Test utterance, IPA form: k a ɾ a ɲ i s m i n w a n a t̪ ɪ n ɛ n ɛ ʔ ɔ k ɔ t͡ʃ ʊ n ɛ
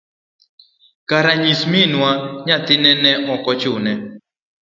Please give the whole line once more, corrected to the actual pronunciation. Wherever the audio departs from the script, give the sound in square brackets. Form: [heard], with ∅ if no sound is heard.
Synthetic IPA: k a ɾ a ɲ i s m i n w a [ɲ] a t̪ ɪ n ɛ n ɛ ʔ ɔ k ɔ t͡ʃ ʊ n ɛ